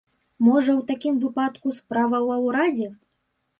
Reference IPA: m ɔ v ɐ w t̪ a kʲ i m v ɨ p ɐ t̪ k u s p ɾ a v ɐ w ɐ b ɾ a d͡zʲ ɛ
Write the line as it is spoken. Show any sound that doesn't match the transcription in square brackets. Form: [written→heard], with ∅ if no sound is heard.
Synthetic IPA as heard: m ɔ [v→ʐ] ɐ w t̪ a kʲ i m v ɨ p [ɐ→a] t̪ k u s p ɾ a v ɐ w ɐ [b→w] ɾ a d͡zʲ ɛ